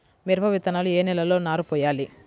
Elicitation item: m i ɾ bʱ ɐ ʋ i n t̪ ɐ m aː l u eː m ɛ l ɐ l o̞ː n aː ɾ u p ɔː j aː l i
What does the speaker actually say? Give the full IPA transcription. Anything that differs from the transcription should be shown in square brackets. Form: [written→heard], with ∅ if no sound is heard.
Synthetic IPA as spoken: m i ɾ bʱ ɐ ʋ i [n→∅] t̪ ɐ [m→n] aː l u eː [m→n] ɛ l ɐ l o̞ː n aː ɾ u p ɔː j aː l i